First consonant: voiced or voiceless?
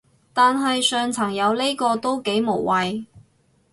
voiceless